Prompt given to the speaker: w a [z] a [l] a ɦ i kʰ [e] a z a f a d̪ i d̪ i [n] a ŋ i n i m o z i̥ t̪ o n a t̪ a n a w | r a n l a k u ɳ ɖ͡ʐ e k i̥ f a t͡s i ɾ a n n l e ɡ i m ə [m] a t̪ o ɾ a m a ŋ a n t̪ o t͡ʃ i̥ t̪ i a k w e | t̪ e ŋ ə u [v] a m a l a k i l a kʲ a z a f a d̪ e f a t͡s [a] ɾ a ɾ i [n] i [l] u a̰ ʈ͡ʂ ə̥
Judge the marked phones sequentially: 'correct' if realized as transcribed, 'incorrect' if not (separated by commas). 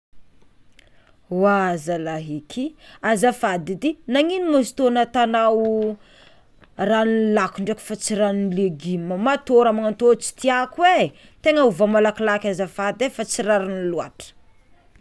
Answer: correct, correct, incorrect, correct, correct, correct, incorrect, correct, correct